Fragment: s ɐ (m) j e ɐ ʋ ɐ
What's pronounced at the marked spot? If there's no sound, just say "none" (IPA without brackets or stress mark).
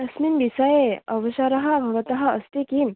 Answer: none